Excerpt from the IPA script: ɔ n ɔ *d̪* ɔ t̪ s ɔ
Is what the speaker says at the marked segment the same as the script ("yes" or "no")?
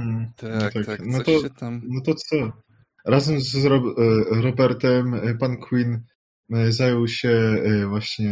no